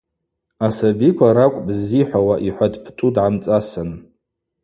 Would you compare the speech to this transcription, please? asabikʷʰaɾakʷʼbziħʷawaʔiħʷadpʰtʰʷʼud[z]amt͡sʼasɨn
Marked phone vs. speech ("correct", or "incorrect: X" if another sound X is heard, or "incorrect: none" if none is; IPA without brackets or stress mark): incorrect: ʕ